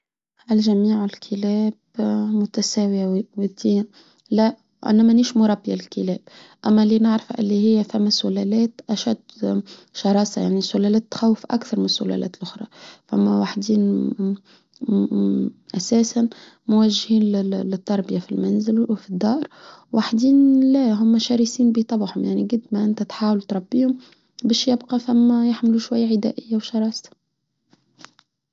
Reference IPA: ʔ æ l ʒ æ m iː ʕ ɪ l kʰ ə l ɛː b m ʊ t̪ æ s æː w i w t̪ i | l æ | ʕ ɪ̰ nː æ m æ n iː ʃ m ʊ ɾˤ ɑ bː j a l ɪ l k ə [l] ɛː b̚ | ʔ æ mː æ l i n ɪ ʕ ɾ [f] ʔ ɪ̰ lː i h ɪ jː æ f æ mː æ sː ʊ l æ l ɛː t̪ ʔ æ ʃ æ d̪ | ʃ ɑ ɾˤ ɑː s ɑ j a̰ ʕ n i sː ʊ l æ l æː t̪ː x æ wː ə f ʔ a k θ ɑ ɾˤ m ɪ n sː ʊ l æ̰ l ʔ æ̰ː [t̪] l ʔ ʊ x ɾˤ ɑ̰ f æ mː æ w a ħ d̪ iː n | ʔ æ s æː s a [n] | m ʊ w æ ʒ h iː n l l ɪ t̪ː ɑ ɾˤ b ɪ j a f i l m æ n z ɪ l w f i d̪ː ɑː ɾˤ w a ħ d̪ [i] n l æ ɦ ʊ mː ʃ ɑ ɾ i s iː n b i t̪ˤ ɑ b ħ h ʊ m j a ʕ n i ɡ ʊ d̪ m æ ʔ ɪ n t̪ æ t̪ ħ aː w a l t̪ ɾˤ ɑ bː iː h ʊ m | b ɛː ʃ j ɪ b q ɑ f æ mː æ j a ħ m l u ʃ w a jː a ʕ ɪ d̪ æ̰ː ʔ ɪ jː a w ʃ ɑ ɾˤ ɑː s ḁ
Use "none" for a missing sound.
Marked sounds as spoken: l, f, t̪, n, iː

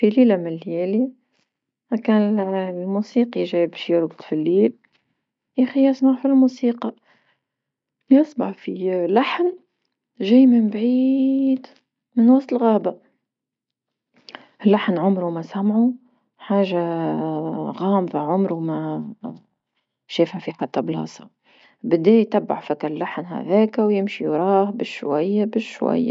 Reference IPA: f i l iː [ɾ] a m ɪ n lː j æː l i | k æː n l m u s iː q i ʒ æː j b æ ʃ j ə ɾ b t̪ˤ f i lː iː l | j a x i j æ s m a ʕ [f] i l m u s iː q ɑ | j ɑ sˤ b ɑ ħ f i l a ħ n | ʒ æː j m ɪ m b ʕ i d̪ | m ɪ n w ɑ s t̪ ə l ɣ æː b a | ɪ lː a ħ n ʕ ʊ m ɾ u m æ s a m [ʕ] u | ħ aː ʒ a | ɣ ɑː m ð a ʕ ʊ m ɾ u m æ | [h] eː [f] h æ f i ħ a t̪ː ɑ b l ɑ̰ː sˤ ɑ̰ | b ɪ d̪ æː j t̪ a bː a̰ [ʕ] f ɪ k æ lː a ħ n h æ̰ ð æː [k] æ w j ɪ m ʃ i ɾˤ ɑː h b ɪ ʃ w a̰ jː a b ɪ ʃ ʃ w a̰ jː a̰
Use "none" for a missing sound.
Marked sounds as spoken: l, f, ʕ, ʃ, f, ʕ, k

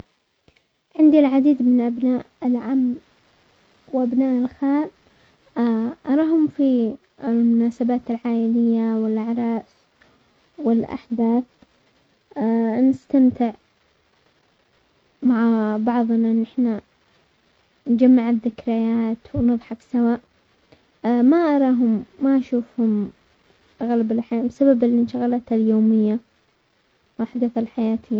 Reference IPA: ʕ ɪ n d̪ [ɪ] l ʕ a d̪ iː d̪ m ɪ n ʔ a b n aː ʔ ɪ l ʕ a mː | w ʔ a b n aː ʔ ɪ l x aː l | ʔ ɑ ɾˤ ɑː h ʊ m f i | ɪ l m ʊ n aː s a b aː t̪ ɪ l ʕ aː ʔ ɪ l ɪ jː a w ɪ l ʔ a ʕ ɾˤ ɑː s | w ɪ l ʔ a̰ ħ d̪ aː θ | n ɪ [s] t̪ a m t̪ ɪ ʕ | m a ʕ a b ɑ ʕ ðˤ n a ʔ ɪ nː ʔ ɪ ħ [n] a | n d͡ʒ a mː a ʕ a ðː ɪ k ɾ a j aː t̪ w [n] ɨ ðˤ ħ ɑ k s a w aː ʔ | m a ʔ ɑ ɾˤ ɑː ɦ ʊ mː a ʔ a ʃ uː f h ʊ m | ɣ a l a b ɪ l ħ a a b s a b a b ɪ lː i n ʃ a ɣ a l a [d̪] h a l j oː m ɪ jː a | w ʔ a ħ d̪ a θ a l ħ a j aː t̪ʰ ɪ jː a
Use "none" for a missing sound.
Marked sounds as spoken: i, s, n, n, t̪

